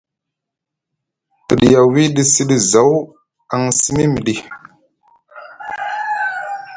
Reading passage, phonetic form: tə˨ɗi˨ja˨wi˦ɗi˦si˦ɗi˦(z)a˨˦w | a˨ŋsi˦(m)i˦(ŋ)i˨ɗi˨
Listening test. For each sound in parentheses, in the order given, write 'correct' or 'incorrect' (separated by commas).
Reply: correct, correct, incorrect